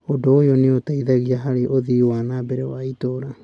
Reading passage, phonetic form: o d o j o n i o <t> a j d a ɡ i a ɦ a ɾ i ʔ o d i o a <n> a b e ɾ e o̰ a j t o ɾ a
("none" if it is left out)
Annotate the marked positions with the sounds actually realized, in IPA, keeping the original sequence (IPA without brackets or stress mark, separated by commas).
t, n